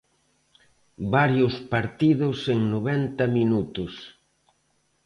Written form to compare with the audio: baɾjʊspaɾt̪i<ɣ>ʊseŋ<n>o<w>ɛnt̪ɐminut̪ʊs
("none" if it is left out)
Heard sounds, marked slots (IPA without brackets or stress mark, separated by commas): ð, n, β